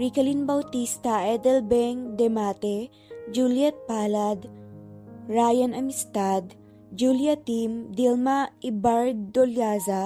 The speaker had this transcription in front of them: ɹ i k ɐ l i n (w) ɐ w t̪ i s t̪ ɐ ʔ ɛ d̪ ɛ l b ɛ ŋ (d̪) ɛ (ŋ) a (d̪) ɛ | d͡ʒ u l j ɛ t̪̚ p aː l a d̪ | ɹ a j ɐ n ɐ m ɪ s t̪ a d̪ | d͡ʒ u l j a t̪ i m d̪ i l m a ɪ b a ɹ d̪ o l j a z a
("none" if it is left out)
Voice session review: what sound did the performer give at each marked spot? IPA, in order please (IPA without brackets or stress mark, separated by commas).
b, d̪, m, t̪